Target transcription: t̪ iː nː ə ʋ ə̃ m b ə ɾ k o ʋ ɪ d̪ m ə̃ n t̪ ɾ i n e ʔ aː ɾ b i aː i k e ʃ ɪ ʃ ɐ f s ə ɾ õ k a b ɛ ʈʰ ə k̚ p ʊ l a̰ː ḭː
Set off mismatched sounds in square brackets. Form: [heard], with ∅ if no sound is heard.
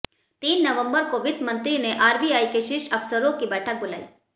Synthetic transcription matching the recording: t̪ iː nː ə ʋ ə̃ m b ə ɾ k o ʋ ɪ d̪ m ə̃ n t̪ ɾ i n e ʔ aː ɾ b i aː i k e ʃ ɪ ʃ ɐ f s ə ɾ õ k [i] b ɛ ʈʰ ə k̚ [b] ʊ l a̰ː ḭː

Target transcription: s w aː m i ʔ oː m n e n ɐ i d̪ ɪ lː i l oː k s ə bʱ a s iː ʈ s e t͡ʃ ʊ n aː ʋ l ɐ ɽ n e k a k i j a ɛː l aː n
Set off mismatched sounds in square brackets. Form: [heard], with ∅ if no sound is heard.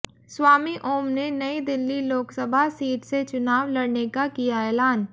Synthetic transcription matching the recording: s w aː m i ʔ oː m n e n ɐ i d̪ ɪ lː i l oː k s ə bʱ a s iː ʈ s e t͡ʃ ʊ n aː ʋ l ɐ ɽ n e k a k i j a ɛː l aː n

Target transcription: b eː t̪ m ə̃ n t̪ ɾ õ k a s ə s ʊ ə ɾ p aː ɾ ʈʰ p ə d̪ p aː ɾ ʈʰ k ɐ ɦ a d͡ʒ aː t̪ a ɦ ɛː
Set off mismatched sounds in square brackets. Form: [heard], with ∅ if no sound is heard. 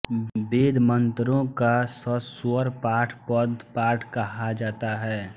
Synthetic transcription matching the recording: b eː [d̪] m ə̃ n t̪ ɾ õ k a s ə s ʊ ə ɾ p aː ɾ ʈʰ p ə d̪ p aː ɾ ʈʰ k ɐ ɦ a d͡ʒ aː t̪ a ɦ ɛː

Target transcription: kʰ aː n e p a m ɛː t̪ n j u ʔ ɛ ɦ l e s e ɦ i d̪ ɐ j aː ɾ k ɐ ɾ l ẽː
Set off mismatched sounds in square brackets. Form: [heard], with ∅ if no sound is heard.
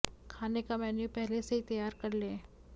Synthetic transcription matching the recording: kʰ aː n e [k] a m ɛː [∅] n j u [p] ɛ ɦ l e s e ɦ i [t̪] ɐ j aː ɾ k ɐ ɾ l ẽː

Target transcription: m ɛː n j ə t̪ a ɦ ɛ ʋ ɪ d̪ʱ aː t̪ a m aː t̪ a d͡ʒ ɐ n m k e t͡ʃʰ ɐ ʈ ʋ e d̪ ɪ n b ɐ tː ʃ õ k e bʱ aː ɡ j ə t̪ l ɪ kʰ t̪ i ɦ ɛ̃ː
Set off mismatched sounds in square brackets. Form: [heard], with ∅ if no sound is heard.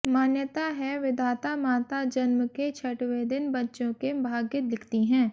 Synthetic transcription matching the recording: m [aː] n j ə t̪ a ɦ ɛ ʋ ɪ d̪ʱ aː t̪ a m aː t̪ a d͡ʒ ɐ n m k e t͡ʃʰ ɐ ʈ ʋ e d̪ ɪ n b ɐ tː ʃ õ k e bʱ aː ɡ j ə t̪ l ɪ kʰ t̪ i ɦ ɛ̃ː

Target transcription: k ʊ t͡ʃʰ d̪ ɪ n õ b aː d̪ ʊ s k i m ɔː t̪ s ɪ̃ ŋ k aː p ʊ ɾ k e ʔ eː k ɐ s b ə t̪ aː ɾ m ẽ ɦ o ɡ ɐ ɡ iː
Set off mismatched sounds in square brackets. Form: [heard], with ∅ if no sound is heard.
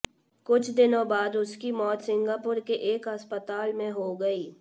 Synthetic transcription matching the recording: k ʊ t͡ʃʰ d̪ ɪ n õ b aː d̪ ʊ s k i m ɔː t̪ s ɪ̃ ŋ [ɡ] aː p ʊ ɾ k e ʔ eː k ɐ s [p] ə t̪ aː [l] m ẽ ɦ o ɡ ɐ [∅] iː

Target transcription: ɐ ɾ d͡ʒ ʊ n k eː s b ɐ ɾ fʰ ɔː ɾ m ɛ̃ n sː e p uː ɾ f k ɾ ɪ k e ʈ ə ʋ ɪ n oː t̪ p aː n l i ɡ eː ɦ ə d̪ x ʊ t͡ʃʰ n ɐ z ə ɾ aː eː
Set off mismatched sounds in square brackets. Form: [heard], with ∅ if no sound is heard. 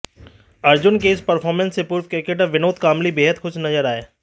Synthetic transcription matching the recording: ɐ ɾ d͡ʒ ʊ n k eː s [p] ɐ ɾ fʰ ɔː ɾ m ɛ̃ n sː e p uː ɾ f k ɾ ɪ k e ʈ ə ʋ ɪ n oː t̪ [k] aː [m] l i [b] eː ɦ ə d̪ x ʊ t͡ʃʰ n ɐ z ə ɾ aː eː

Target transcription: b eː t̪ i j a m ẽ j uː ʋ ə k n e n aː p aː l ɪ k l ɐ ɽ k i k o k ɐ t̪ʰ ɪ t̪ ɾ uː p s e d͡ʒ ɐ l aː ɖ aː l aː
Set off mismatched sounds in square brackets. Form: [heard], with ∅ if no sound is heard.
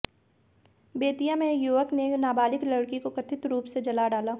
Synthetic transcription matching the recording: b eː t̪ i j a m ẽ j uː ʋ ə k n e n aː [b] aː l ɪ k l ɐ ɽ k i k o k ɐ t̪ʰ ɪ t̪ ɾ uː p s e d͡ʒ ɐ l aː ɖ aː l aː

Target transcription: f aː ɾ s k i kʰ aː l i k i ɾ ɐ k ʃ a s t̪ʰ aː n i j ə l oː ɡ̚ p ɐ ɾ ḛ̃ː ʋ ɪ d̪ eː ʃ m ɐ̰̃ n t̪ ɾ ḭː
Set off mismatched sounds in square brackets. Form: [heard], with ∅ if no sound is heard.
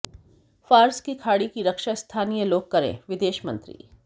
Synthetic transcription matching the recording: f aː ɾ s k i kʰ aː [ɽ] i k i ɾ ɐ k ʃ a s t̪ʰ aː n i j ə l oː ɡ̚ [k] ɐ ɾ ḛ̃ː ʋ ɪ d̪ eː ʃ m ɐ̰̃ n t̪ ɾ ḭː

